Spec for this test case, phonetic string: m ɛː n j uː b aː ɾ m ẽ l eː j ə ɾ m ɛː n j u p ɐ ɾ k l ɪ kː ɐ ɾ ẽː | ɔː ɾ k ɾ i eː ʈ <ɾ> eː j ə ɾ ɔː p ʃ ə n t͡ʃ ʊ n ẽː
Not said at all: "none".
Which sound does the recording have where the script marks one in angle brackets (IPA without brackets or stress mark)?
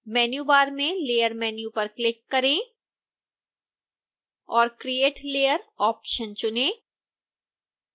l